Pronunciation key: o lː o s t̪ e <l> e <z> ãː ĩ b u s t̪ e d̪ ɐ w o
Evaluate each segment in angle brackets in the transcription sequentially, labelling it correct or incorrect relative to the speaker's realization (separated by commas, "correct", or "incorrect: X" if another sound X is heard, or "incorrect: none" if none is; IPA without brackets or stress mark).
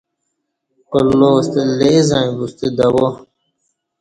correct, correct